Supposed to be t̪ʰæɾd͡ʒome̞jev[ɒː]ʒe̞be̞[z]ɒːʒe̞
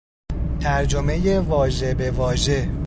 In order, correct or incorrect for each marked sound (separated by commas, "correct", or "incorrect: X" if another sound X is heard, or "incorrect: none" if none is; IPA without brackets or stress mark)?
correct, incorrect: v